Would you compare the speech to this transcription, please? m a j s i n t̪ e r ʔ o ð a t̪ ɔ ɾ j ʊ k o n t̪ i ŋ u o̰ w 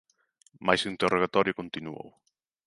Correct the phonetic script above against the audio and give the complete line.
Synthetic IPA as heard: m a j s i n t̪ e r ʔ o ɣ a t̪ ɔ ɾ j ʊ k o n t̪ i n u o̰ w